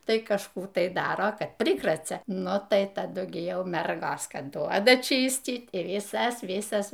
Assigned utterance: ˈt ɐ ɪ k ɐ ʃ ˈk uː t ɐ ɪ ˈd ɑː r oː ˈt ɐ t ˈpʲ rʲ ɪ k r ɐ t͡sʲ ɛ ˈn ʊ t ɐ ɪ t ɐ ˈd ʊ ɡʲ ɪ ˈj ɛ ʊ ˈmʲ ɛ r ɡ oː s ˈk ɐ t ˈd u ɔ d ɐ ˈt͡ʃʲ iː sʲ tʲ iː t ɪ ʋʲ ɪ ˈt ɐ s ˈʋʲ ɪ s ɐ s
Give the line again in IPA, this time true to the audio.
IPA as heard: ˈt ɐ ɪ k ɐ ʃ ˈk uː t ɐ ɪ ˈd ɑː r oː ˈk ɐ t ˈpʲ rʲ ɪ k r ɐ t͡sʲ ɛ ˈn ʊ t ɐ ɪ t ɐ ˈd ʊ ɡʲ ɪ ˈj ɛ ʊ ˈmʲ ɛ r ɡ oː s ˈk ɐ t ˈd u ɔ d ɐ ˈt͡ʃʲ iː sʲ tʲ iː t ɪ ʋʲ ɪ ˈs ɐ s ˈʋʲ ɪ s ɐ s